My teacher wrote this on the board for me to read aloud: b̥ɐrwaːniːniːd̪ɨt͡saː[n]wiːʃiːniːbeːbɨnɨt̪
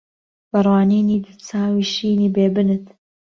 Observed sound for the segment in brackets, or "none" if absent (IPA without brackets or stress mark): none